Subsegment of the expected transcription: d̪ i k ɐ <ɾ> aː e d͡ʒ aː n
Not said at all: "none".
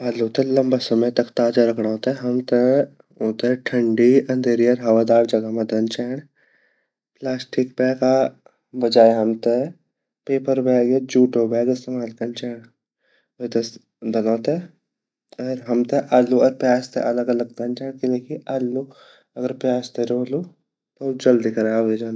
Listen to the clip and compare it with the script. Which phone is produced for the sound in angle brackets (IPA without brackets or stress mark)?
ɾ